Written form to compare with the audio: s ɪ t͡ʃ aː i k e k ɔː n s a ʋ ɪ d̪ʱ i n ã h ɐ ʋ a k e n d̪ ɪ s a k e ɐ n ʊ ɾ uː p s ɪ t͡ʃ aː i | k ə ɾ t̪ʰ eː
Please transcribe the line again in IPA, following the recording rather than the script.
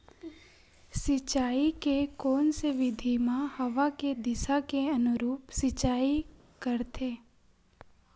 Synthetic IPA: s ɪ t͡ʃ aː i k e k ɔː n s e ʋ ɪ d̪ʱ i m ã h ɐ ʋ a k e d̪ ɪ s a k e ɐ n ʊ ɾ uː p s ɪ t͡ʃ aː i | k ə ɾ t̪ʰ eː